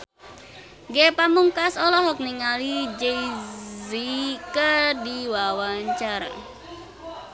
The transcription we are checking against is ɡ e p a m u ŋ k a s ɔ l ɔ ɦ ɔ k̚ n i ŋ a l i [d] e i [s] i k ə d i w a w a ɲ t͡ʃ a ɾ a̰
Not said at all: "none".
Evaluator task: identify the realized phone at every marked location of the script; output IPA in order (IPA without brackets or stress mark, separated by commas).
d͡ʒ, z